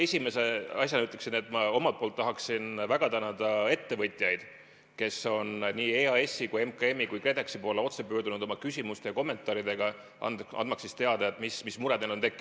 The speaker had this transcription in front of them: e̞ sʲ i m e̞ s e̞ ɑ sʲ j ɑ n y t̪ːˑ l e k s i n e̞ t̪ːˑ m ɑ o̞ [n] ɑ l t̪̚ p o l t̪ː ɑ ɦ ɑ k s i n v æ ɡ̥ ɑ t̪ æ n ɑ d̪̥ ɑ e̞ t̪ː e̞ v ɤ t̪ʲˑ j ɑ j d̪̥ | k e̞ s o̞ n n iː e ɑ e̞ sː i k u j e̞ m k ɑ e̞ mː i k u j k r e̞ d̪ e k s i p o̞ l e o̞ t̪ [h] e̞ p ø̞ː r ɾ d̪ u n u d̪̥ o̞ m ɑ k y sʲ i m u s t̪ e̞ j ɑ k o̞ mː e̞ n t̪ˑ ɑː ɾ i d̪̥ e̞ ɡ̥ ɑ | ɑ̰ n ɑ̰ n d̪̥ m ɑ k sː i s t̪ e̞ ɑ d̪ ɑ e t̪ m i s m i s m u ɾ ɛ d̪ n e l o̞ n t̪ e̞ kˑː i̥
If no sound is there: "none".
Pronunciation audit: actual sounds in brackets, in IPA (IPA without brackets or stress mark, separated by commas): m, s